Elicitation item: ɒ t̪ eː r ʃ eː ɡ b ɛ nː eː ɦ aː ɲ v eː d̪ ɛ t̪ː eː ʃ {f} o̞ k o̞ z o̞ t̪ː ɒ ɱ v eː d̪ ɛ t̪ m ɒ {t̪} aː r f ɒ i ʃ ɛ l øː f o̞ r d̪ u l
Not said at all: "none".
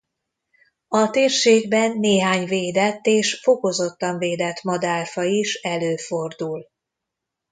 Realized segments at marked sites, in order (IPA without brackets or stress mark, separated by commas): f, d̪